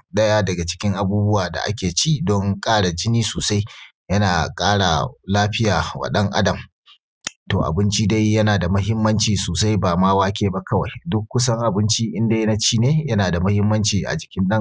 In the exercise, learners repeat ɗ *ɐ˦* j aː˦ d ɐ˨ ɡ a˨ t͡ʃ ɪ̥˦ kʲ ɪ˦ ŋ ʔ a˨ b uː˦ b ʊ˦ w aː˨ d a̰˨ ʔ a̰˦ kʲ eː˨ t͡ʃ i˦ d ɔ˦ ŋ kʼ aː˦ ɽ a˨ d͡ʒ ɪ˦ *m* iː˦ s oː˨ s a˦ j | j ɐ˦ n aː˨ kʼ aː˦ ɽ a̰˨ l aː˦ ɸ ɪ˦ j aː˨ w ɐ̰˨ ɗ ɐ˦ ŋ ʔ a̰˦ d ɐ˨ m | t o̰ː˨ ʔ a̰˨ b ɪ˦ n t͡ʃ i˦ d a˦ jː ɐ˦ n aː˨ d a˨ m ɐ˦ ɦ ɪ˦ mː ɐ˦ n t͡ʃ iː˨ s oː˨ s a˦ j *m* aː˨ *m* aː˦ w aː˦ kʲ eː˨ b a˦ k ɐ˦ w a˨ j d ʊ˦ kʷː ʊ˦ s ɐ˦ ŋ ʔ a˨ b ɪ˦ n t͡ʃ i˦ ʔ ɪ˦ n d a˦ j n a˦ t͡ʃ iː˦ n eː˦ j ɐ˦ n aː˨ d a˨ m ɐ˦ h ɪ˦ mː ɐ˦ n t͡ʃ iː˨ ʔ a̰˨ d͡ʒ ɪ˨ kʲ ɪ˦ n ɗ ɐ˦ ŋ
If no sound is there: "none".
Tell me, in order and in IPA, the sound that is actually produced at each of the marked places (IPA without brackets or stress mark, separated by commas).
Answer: ɐ˦, n, b, m